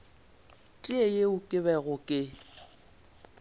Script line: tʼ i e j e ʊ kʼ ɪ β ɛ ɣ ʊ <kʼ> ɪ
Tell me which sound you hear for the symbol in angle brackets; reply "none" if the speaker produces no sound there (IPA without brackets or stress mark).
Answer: kʼ